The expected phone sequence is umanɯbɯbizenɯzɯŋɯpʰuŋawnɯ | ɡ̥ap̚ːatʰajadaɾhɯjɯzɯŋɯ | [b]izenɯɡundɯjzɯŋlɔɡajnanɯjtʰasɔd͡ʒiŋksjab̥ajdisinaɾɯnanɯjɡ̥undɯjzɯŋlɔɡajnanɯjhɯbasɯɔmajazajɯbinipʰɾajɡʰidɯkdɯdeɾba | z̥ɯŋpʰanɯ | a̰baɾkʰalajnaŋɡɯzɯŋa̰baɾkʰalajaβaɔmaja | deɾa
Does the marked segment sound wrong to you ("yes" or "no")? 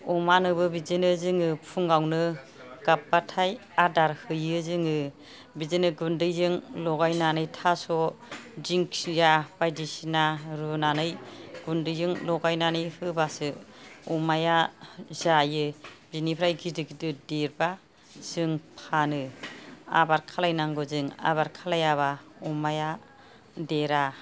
no